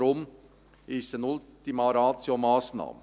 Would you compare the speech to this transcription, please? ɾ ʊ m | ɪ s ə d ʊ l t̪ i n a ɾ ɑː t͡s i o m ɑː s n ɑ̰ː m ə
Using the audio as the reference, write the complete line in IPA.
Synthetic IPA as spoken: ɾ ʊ m | ɪ s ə n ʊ l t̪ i m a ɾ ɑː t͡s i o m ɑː s n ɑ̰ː m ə